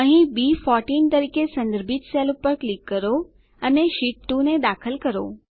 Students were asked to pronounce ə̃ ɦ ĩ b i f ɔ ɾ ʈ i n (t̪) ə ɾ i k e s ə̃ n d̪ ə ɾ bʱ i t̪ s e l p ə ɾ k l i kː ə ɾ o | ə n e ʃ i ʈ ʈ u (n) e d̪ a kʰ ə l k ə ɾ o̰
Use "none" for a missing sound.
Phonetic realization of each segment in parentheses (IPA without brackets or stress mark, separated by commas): t̪, n